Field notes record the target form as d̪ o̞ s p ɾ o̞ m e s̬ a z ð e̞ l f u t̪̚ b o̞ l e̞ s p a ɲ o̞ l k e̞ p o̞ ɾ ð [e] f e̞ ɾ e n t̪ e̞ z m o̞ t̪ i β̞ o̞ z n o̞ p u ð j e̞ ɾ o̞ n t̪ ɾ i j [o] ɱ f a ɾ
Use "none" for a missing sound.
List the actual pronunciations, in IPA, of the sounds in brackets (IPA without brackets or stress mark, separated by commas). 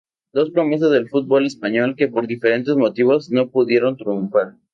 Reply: i, u